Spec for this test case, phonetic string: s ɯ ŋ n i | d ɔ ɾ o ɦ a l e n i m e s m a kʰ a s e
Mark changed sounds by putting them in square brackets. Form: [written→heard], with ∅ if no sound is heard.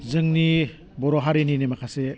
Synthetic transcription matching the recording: [s→z] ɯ ŋ n i | [d→b] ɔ ɾ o ɦ a [l→ɾ] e n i [m→n] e [s→∅] m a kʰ a s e